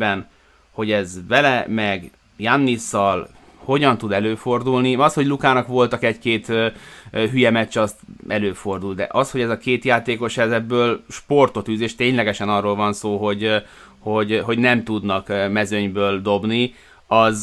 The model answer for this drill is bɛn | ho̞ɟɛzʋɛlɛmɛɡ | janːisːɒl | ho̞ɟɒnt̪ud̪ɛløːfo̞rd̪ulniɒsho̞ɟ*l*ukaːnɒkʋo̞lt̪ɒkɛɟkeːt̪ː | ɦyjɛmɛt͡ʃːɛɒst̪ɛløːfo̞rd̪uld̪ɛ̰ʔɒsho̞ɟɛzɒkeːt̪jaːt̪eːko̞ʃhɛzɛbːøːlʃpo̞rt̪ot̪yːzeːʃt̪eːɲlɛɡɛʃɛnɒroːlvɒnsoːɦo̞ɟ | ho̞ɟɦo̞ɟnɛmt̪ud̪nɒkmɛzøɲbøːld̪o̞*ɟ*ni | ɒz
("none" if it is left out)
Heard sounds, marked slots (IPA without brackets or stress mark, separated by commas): l, b